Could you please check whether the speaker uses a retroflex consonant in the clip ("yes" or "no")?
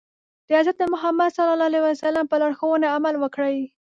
yes